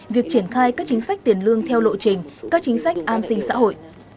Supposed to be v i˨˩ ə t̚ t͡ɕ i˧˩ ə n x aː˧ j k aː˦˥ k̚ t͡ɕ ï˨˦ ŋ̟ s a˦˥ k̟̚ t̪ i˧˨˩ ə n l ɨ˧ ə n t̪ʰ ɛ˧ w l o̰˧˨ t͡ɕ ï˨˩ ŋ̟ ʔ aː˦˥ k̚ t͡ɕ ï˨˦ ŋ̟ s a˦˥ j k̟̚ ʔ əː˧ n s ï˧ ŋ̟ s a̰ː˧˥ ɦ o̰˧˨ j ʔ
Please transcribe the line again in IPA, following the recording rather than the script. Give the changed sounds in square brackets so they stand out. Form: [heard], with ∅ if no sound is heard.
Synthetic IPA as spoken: v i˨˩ ə [k̚] t͡ɕ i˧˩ ə n x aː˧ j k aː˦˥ k̚ t͡ɕ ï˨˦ ŋ̟ s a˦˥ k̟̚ t̪ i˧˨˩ ə n l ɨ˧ ə [ŋ] t̪ʰ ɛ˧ w l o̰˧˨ t͡ɕ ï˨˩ ŋ̟ [k] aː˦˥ k̚ t͡ɕ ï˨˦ ŋ̟ s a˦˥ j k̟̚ ʔ [aː˧] n s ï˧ ŋ̟ s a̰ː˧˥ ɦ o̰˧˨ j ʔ